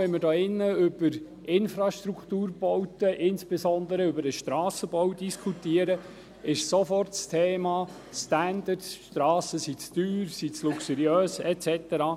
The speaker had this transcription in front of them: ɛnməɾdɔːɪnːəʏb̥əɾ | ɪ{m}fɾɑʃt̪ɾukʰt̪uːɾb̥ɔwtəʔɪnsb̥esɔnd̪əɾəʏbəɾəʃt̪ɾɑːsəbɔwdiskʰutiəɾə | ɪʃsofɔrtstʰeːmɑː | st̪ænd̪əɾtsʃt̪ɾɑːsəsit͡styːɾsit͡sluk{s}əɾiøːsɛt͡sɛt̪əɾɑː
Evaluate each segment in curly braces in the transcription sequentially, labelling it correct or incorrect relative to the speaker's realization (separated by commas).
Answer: incorrect, correct